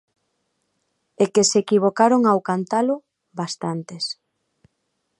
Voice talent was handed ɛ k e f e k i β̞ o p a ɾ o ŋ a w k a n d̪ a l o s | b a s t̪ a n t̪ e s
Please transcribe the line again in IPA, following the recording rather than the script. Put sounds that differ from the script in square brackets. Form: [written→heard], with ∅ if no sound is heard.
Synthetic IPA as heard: [ɛ→e] k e [f→s] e k i β̞ o [p→k] a ɾ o ŋ a w k a n [d̪→t̪] a l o [s→∅] | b a s t̪ a n t̪ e s